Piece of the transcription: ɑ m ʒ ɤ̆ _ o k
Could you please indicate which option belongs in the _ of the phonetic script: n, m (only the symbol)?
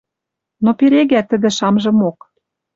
m